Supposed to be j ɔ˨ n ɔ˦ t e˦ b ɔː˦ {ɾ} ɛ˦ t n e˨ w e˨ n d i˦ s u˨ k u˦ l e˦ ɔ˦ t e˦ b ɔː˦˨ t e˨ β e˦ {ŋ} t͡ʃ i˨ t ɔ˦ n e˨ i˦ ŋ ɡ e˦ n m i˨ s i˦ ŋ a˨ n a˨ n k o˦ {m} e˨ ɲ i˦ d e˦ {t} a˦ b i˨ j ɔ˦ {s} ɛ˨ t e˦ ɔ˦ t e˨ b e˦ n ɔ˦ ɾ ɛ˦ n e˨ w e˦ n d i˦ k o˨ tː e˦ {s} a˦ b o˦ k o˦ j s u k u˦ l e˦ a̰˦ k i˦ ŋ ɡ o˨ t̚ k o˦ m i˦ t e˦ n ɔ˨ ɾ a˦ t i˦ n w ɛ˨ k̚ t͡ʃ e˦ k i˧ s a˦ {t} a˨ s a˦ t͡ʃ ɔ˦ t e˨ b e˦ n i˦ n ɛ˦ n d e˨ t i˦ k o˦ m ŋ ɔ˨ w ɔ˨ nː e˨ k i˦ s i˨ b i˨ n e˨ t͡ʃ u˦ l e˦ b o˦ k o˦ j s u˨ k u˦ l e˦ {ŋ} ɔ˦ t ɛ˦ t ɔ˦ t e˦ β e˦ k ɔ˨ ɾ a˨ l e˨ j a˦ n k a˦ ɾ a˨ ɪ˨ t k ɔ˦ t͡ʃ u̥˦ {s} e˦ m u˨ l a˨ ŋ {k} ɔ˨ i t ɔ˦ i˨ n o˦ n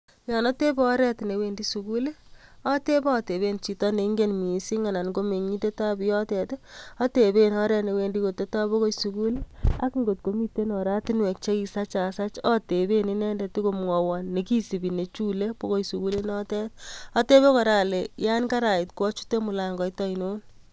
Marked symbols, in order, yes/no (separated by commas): yes, no, yes, yes, no, no, no, no, no, no